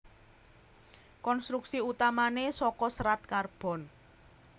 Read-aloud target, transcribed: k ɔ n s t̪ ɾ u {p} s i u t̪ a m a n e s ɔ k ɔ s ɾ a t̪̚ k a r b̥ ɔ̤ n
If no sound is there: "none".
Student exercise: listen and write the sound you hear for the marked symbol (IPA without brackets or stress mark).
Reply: k